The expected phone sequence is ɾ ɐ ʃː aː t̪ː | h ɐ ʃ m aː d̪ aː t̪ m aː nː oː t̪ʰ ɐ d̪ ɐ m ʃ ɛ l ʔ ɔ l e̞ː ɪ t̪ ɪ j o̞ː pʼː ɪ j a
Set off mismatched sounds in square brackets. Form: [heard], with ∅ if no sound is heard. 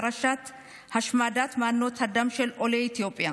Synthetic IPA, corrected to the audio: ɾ ɐ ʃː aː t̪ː | h ɐ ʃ m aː d̪ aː t̪ m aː nː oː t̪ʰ ɐ d̪ ɐ m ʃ ɛ l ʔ ɔ l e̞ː ɪ t̪ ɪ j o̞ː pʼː ɪ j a